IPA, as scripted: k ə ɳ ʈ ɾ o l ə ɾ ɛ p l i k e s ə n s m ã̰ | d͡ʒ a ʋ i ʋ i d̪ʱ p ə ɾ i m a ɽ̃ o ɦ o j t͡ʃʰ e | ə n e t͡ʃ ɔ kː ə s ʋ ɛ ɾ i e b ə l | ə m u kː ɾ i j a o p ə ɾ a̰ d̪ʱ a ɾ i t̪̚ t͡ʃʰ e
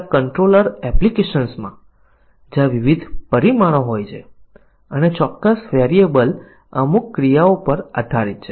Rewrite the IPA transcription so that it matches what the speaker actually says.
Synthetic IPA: k ə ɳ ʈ ɾ o l ə ɾ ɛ p l i k e ʃ ə n s m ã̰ | d͡ʒ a ʋ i ʋ i d̪ʱ p ə ɾ i m a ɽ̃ o ɦ o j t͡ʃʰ e | ə n e t͡ʃ ɔ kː ə s ʋ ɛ ɾ i e b ə l | ə m u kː ɾ i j a o p ə ɾ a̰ d̪ʱ a ɾ i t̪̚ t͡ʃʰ e